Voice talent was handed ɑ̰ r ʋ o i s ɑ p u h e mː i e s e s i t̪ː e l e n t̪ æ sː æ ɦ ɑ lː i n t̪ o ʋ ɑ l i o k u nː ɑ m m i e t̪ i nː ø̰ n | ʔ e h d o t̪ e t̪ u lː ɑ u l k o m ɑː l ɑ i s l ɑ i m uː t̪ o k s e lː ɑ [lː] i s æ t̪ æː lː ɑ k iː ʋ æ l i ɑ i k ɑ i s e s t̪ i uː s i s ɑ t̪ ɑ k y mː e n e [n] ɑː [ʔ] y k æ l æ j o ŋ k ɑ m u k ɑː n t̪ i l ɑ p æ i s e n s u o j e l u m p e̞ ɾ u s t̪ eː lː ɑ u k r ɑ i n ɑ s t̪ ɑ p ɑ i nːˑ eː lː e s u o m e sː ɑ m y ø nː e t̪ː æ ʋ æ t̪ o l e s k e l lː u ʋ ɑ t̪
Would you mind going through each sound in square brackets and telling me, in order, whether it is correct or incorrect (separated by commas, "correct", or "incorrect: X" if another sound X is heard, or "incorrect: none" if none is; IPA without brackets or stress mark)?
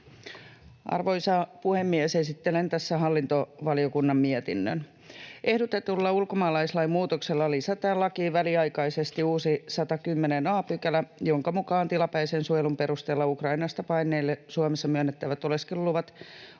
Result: incorrect: l, correct, incorrect: p